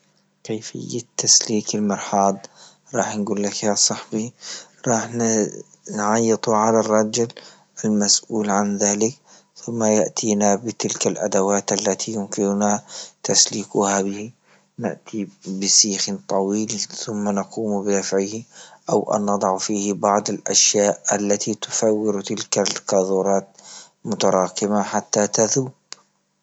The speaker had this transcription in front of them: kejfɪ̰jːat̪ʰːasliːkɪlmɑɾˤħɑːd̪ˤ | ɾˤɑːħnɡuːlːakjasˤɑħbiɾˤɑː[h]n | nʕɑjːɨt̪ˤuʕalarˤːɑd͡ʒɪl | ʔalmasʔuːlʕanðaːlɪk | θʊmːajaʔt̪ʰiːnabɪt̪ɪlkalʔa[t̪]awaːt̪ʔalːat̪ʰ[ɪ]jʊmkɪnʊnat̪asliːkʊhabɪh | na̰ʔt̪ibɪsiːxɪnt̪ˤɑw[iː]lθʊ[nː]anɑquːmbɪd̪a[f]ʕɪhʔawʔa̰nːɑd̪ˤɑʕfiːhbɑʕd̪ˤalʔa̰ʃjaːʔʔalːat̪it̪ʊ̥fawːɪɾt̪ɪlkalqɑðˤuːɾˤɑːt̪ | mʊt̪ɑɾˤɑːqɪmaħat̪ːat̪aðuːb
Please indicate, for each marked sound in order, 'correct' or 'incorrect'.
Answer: incorrect, incorrect, incorrect, correct, incorrect, correct

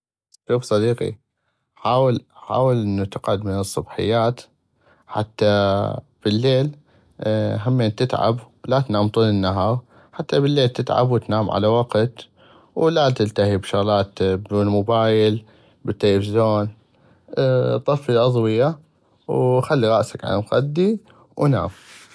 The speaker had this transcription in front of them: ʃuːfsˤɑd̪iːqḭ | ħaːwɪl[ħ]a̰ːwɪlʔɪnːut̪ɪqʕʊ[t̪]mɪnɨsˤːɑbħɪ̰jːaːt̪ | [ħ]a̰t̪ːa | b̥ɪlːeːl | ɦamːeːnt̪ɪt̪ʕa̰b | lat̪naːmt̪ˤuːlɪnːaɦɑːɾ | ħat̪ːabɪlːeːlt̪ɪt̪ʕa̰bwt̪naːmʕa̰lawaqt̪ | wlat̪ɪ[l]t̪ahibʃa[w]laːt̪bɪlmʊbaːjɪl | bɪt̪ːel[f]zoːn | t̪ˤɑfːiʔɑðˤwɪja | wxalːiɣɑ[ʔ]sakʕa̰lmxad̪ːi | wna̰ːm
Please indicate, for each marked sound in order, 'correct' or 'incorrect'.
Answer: correct, incorrect, correct, correct, incorrect, correct, correct

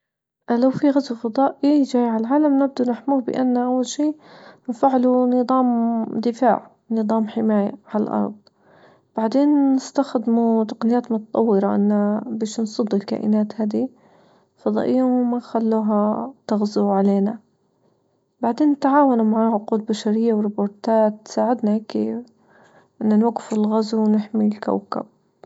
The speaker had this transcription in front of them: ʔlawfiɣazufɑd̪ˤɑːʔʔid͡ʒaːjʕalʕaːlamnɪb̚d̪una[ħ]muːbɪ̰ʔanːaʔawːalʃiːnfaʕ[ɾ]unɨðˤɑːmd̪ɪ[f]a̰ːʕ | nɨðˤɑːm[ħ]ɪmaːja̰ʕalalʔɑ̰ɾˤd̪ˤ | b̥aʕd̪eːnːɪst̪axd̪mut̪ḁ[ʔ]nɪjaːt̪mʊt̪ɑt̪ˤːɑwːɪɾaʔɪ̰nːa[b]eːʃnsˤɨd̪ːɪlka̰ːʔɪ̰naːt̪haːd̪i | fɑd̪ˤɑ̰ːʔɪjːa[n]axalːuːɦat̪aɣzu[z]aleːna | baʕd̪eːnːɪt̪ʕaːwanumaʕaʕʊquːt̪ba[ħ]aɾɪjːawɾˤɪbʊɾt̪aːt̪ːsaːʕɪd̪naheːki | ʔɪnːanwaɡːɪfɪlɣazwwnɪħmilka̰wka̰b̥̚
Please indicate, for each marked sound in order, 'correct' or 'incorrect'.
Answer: correct, incorrect, correct, correct, incorrect, correct, incorrect, incorrect, incorrect

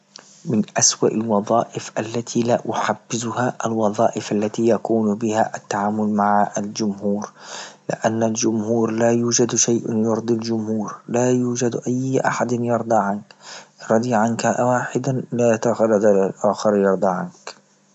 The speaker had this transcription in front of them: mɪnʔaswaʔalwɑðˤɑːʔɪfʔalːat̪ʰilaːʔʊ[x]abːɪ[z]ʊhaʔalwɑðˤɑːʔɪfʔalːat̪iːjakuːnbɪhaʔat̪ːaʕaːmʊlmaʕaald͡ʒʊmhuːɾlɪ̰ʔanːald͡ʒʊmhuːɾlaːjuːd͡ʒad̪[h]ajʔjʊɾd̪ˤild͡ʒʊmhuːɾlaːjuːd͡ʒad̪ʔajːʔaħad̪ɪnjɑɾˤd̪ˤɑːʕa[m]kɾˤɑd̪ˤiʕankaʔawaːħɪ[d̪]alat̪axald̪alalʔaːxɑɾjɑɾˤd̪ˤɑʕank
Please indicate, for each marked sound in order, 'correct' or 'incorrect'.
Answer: incorrect, correct, incorrect, incorrect, correct

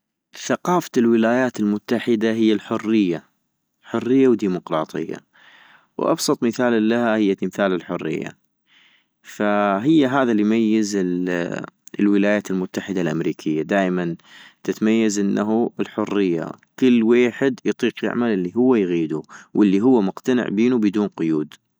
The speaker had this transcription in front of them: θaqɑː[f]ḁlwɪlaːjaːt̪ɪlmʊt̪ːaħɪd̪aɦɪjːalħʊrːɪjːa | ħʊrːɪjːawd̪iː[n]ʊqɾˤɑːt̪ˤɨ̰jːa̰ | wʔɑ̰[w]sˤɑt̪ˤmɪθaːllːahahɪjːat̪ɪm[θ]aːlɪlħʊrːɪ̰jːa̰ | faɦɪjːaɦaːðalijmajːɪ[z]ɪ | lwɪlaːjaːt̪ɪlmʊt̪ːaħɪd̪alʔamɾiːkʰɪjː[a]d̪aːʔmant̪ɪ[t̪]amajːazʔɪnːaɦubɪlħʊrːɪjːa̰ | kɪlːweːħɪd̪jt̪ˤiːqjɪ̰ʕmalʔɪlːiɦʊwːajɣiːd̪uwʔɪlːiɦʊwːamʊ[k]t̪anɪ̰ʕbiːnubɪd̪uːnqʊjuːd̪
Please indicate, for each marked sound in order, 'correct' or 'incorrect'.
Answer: correct, incorrect, incorrect, correct, correct, correct, correct, incorrect

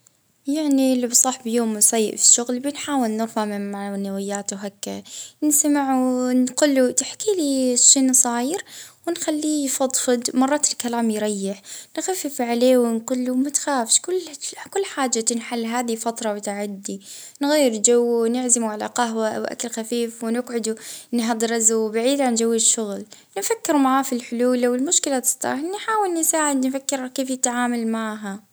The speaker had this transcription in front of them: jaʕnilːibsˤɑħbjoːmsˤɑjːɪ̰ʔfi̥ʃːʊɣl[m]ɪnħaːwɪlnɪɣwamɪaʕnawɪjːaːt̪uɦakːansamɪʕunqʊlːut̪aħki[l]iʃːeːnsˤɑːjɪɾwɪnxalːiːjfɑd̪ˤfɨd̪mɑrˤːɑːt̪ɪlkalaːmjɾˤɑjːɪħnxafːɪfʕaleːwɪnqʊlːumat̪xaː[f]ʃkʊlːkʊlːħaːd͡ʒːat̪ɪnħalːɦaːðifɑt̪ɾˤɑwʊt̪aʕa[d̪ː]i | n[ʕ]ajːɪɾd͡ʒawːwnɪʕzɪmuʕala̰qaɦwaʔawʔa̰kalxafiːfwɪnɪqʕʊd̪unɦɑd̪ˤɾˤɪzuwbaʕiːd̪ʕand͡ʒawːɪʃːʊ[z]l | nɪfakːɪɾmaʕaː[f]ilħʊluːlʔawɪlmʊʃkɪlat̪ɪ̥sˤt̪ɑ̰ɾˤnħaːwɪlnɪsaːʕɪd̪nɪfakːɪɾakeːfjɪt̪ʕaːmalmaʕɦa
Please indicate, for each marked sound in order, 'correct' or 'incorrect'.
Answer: incorrect, correct, correct, correct, incorrect, incorrect, correct

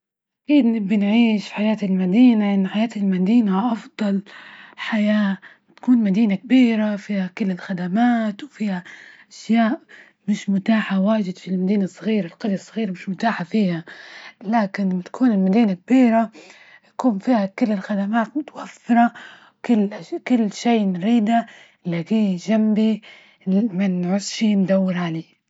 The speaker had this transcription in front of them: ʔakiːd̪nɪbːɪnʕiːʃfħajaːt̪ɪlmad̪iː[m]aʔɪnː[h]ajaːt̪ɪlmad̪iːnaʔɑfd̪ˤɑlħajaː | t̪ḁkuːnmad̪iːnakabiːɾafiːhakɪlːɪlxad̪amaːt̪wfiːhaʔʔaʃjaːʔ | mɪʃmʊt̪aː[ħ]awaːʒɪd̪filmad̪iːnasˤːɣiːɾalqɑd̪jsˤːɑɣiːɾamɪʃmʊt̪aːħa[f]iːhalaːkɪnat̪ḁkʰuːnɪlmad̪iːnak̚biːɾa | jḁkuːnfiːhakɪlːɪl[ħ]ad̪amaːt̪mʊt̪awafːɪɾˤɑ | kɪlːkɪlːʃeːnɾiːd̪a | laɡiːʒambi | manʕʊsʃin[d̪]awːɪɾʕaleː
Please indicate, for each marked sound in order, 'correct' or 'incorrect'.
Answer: incorrect, incorrect, correct, correct, incorrect, correct

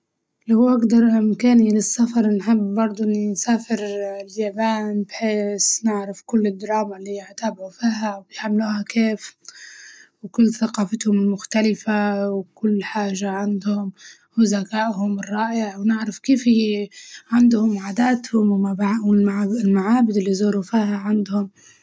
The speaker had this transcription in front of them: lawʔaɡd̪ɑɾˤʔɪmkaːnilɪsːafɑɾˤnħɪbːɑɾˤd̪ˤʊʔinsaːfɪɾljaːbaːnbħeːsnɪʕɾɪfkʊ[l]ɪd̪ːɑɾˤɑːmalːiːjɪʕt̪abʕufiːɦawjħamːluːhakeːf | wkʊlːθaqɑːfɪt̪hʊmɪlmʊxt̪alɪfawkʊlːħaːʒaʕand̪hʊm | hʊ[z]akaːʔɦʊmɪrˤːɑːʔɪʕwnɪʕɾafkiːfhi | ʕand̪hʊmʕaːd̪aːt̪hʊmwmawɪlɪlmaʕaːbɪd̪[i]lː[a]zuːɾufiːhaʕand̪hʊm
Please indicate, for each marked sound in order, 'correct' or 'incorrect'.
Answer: incorrect, correct, incorrect, incorrect

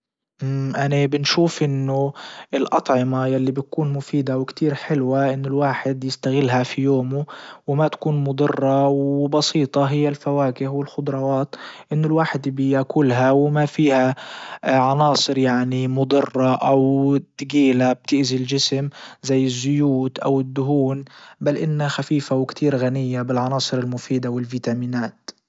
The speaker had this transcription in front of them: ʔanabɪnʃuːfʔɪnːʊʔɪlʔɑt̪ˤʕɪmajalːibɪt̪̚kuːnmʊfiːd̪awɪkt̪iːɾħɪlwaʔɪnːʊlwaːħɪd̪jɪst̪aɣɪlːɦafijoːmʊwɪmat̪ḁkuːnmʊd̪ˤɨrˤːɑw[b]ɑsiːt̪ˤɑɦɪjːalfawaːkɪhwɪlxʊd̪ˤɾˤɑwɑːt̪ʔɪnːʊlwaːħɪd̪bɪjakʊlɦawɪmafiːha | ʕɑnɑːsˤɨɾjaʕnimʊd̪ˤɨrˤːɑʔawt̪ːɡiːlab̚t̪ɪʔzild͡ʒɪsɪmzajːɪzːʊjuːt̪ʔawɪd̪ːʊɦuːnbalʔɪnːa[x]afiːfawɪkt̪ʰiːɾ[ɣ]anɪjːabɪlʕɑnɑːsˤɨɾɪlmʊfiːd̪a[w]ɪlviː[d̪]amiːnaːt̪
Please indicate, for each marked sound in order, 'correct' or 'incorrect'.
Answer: correct, correct, correct, correct, incorrect

